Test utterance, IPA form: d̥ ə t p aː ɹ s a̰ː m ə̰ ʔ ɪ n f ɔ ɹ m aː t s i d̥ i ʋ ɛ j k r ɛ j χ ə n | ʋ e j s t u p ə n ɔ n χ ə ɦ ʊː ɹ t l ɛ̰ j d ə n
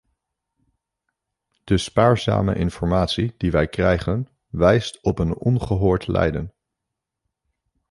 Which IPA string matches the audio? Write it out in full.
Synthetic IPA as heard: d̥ ə s p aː ɹ z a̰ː m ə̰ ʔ ɪ n f ɔ ɹ m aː t s i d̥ i ʋ ɛ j k r ɛ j χ ə n | ʋ ɛ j s t ɔ p ə n ɔ n χ ə ɦ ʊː ɹ t l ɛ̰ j d ə n